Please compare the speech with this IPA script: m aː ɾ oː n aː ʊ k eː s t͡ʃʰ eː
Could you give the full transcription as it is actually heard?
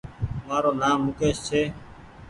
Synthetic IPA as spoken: m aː ɾ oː n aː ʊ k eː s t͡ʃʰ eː